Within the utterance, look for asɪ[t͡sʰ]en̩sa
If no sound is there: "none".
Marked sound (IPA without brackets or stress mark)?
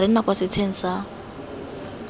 t͡sʰ